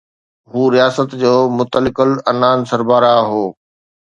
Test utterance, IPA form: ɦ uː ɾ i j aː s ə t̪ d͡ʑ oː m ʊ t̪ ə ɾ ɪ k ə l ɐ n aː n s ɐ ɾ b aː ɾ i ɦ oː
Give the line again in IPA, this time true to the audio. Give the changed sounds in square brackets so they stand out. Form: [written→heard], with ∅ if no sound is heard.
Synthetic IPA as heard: ɦ uː ɾ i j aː s ə t̪ d͡ʑ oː m ʊ t̪ ə [ɾ→l] ɪ k ə l ɐ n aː n s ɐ ɾ b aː ɾ [i→a] ɦ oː